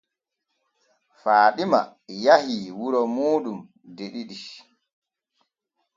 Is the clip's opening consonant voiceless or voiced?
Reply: voiceless